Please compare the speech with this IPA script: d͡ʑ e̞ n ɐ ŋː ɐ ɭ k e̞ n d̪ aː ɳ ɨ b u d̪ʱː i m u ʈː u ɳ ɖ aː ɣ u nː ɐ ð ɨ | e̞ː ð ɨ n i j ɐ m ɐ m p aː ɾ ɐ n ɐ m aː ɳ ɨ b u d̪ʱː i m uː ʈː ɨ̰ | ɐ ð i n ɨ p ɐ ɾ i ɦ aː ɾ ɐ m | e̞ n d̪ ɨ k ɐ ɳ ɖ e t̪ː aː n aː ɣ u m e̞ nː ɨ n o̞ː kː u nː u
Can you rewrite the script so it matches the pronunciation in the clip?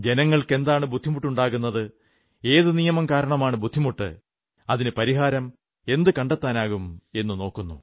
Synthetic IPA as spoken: d͡ʑ e̞ n ɐ ŋː ɐ ɭ k e̞ n d̪ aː ɳ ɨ b u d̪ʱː i m u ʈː u ɳ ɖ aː ɣ u nː ɐ ð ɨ | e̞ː ð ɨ n i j ɐ m ɐ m k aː ɾ ɐ ɳ ɐ m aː ɳ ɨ b u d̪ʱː i m u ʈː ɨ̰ | ɐ ð i n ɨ p ɐ ɾ i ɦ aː ɾ ɐ m | e̞ n d̪ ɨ k ɐ ɳ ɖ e t̪ː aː n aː ɣ u m e̞ nː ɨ n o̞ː kː u nː u